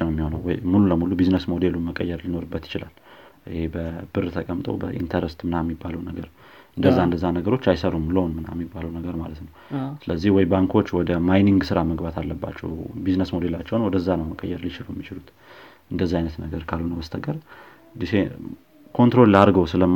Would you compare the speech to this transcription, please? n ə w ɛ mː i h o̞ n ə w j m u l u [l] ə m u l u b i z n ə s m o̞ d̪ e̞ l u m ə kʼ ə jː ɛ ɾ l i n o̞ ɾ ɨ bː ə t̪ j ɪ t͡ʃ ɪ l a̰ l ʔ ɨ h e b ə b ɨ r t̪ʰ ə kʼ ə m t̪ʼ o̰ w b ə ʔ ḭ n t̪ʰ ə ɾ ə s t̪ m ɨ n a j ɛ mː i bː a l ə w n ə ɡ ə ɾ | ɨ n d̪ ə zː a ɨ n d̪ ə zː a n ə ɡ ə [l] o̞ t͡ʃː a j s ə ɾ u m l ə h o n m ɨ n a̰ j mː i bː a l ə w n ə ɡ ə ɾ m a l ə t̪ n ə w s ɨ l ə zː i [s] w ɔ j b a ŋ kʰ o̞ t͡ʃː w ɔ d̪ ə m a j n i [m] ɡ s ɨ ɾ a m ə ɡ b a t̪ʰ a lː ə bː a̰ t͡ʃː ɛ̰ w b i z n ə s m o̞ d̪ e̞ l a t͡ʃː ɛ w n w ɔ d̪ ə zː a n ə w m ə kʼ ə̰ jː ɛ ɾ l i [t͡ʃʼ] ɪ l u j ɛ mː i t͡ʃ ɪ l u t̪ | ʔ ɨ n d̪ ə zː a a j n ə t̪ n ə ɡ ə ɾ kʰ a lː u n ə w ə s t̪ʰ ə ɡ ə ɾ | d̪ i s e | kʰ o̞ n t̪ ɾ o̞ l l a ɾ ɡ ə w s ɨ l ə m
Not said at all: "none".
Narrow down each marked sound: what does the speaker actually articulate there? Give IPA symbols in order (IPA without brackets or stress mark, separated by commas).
l, ɾ, h, ŋ, t͡ʃ